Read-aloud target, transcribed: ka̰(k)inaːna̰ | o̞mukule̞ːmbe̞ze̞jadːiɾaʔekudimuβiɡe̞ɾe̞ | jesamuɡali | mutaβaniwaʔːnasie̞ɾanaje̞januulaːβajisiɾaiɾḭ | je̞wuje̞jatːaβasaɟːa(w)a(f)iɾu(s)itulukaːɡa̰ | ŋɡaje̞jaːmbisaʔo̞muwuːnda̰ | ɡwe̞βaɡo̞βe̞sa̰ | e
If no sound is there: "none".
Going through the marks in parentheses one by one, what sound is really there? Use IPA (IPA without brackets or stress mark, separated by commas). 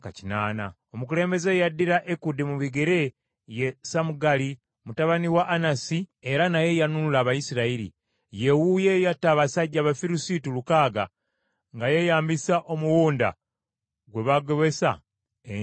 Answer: c, β, f, s